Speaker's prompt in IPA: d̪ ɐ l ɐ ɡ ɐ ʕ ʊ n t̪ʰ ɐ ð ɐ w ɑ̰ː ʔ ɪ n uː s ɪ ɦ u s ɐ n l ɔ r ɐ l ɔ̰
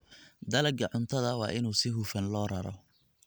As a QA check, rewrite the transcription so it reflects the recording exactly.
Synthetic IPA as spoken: d̪ ɐ l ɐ ɡ ɐ ʕ ʊ n t̪ʰ ɐ ð ɐ w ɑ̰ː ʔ ɪ n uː s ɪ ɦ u f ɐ n l ɔː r ɐ ɾ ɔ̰